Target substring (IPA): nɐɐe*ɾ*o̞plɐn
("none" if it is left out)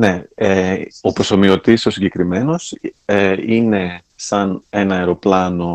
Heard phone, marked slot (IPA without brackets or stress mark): ɾ